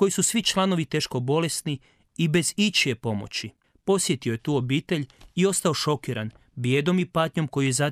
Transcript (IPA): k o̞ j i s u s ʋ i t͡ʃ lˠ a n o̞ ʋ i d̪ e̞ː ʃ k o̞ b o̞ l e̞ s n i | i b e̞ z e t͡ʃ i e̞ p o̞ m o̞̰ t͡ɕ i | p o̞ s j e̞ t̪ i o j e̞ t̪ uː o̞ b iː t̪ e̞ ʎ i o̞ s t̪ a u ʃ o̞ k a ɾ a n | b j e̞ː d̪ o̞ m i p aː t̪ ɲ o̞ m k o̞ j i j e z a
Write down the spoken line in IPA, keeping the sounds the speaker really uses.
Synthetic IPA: k o̞ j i s u s ʋ i t͡ʃ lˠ a n o̞ ʋ i t̪ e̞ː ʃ k o̞ b o̞ l e̞ s n i | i b e̞ z i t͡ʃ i e̞ p o̞ m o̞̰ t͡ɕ i | p o̞ s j e̞ t̪ i o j e̞ t̪ uː o̞ b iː t̪ e̞ ʎ i o̞ s t̪ a o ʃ o̞ k i ɾ a n | b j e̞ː d̪ o̞ m i p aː t̪ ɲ o̞ m k o̞ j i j e z a